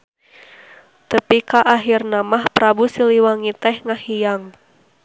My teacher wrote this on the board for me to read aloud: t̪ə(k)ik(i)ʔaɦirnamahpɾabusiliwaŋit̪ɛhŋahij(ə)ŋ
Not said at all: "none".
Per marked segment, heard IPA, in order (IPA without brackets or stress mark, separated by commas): p, a, a